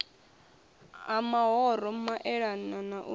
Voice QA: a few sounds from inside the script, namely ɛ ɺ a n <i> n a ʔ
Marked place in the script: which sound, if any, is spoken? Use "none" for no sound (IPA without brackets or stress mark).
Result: a